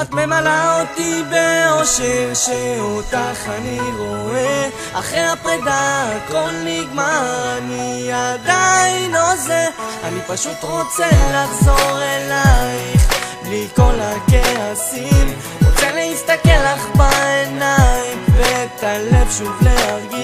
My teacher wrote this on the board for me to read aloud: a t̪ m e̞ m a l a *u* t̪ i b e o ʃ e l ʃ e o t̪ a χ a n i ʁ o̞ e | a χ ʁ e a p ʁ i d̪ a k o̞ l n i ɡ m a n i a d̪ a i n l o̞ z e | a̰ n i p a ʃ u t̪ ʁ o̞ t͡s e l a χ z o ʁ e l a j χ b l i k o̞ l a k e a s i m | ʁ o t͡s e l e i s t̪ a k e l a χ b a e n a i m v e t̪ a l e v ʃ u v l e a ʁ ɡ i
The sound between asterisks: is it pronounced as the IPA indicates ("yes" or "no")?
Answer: no